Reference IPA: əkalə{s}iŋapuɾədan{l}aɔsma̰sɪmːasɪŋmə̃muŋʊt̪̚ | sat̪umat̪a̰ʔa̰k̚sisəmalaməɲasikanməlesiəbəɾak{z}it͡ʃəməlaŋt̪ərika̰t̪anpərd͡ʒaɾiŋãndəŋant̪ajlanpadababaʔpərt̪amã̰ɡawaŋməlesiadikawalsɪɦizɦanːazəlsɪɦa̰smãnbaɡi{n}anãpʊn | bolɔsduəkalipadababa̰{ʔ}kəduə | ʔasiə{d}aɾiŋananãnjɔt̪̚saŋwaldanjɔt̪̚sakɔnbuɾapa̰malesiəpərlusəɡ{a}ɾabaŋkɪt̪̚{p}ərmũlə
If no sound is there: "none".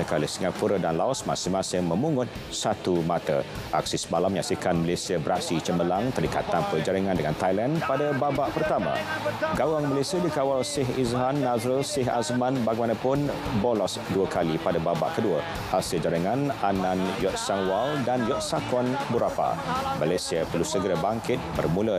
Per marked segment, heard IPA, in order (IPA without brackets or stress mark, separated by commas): s, l, s, m, ʔ, d͡ʒ, ə, b